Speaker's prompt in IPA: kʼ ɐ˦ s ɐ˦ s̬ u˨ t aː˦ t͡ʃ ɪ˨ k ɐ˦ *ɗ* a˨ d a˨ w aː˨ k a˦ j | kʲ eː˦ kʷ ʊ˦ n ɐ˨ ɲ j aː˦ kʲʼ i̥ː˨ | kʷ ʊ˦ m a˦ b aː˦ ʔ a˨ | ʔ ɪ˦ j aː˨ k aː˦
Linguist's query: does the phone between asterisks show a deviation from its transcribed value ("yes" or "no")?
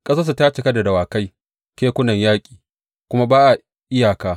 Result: yes